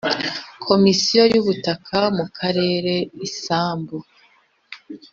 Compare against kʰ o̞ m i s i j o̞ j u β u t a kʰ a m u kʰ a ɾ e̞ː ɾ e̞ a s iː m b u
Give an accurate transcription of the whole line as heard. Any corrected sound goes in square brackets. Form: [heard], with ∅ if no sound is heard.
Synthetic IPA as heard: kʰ o̞ m i s i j o̞ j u β u t a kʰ a m u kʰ a ɾ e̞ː ɾ e̞ [i] s [aː] m b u